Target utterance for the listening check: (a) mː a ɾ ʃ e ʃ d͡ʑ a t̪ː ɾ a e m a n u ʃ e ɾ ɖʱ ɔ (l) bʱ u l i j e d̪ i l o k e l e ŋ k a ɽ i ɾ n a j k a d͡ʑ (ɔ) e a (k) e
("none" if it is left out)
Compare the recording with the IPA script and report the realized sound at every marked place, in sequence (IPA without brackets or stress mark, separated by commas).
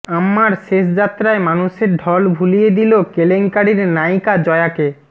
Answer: a, l, ɔ, k